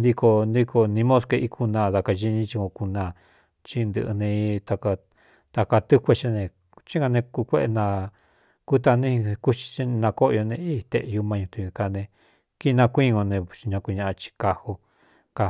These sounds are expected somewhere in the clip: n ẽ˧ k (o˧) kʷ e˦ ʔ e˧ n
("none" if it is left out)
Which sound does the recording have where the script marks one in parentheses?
u˧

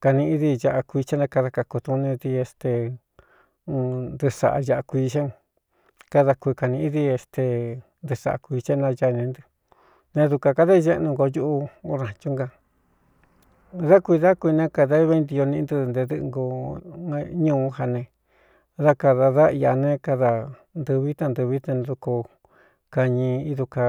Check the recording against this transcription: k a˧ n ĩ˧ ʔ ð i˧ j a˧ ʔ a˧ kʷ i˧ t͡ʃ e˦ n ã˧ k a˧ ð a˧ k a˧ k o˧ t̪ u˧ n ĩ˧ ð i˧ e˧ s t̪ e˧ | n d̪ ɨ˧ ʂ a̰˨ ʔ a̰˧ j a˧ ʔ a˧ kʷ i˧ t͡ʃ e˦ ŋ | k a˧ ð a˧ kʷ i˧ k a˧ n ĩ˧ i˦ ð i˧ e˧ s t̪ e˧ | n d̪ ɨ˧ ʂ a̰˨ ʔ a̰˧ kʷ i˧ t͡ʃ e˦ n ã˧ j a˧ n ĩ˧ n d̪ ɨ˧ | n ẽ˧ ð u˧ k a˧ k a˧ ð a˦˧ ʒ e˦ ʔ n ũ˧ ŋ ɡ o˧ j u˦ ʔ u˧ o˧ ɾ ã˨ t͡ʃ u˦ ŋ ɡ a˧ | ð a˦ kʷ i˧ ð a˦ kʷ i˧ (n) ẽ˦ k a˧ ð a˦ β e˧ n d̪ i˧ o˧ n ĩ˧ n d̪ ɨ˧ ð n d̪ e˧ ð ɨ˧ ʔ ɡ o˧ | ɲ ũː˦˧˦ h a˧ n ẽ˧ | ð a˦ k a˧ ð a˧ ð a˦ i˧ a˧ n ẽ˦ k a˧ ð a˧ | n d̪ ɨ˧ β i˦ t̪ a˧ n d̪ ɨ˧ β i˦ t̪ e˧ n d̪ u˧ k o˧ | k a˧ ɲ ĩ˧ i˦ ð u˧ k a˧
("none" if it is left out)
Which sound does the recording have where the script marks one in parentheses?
n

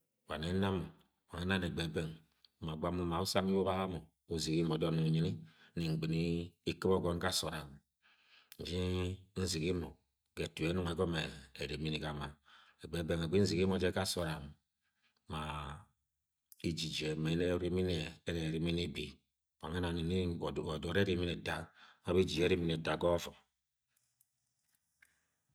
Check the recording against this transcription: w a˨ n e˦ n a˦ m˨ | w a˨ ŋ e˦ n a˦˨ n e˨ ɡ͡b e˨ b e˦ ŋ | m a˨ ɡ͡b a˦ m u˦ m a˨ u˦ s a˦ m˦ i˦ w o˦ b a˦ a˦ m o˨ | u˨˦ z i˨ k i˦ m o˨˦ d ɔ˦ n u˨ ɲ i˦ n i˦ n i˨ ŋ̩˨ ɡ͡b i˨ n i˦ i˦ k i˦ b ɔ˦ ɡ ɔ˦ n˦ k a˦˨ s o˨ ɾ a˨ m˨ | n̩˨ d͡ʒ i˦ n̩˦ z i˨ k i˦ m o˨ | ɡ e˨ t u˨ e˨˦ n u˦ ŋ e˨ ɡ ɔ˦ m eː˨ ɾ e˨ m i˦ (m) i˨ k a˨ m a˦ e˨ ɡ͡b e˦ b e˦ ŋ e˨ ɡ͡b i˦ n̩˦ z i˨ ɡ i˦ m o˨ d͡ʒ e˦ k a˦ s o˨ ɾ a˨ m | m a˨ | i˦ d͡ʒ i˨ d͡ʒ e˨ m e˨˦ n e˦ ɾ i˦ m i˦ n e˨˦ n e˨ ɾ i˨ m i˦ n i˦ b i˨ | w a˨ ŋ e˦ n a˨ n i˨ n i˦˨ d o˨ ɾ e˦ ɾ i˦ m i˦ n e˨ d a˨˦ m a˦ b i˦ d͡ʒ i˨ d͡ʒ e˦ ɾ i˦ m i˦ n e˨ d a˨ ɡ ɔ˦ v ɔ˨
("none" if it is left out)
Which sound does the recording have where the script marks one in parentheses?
n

